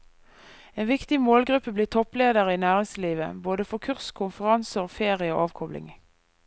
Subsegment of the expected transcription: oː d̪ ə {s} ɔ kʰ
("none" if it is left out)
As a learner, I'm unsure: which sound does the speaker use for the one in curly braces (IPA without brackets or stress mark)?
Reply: f